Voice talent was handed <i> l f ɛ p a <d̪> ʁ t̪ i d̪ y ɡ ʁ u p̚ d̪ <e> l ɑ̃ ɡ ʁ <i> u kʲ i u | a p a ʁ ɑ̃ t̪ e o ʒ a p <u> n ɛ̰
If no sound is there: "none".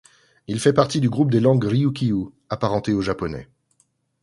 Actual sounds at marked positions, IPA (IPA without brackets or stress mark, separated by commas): i, none, e, i, ɔ